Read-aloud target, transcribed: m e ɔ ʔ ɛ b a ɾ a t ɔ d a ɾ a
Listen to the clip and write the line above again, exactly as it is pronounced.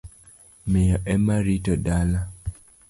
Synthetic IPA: m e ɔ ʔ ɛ m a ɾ i t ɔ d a l a